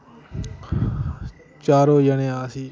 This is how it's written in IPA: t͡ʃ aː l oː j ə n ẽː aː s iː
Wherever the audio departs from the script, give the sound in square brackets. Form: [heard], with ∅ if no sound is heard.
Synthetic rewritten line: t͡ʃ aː [ɾ] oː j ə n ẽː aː s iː